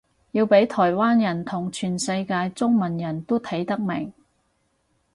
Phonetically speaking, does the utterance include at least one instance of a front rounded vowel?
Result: yes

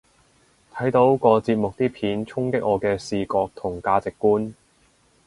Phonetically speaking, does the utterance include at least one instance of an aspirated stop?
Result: yes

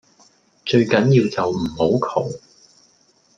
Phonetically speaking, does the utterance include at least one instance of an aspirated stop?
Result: yes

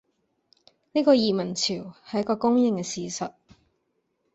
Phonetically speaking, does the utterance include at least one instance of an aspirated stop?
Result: yes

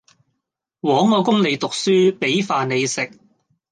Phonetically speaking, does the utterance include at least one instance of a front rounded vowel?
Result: yes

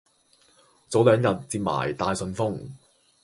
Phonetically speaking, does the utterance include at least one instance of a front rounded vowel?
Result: yes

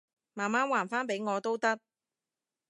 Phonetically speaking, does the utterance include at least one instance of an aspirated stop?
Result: no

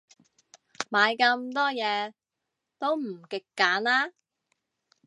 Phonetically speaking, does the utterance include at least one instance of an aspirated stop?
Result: no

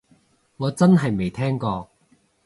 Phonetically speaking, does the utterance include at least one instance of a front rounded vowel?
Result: no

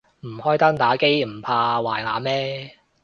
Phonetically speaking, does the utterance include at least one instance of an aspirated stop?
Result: yes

